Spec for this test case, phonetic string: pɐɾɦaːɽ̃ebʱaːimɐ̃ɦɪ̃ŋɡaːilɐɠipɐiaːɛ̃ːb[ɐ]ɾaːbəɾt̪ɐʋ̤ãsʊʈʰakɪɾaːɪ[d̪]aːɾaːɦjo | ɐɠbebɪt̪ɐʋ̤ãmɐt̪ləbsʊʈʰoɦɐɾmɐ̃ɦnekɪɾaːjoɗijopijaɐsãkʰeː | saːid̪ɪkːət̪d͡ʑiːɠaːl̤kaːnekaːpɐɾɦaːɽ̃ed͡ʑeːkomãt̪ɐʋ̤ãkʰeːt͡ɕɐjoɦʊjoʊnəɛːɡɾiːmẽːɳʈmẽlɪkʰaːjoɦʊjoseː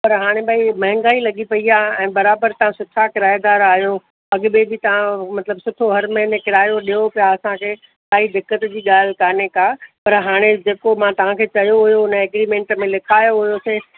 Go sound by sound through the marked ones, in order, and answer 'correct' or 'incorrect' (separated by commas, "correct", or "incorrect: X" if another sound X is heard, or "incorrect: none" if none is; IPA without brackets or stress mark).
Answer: correct, correct